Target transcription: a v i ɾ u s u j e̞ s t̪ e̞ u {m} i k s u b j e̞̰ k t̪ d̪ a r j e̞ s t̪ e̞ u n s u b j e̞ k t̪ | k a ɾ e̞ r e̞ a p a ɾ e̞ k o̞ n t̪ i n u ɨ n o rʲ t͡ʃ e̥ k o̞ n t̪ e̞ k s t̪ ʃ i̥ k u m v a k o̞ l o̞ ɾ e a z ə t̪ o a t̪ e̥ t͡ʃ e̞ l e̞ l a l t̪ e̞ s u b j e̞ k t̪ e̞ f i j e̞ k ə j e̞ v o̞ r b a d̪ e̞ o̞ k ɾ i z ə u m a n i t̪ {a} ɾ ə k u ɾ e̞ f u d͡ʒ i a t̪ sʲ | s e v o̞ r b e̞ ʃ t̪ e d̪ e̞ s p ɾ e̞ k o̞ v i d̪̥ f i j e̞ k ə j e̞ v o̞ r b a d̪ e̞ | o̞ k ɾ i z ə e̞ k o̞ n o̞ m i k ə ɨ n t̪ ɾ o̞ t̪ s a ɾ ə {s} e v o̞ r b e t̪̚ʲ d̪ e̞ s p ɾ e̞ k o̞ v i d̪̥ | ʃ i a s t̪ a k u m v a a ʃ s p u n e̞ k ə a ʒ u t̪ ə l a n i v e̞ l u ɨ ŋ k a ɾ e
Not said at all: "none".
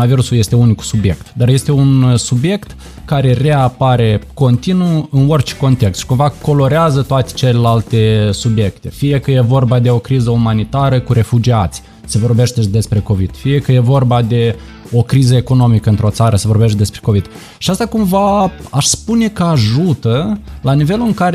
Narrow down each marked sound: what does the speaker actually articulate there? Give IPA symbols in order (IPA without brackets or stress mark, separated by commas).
n, a, s